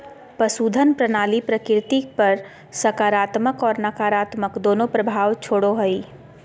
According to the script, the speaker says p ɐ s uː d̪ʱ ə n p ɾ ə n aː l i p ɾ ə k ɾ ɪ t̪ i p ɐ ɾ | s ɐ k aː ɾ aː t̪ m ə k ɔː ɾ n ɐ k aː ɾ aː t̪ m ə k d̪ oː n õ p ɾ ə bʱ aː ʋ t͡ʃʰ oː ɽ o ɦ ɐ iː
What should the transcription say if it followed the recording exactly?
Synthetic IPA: p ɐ s uː d̪ʱ ə n p ɾ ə n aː l i p ɾ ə k ɾ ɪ t̪ i p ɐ ɾ | s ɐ k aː ɾ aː t̪ m ə k ɔː ɾ n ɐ k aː ɾ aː t̪ m ə k d̪ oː n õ p ɾ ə bʱ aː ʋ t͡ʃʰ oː ɽ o ɦ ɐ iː